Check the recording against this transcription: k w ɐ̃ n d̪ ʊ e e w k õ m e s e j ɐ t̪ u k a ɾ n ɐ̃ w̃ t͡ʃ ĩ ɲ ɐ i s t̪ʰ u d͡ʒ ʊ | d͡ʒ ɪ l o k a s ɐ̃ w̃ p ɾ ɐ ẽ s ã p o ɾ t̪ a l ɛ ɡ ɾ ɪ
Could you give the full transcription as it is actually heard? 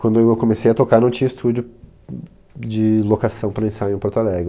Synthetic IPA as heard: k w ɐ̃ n d̪ ʊ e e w k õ m e s e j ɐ t̪ o k a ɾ n ɐ̃ w̃ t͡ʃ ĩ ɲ ɐ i s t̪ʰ u d͡ʒ ʊ | d͡ʒ ɪ l o k a s ɐ̃ w̃ p ɾ ɐ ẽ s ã p o ɾ t̪ a l ɛ ɡ ɾ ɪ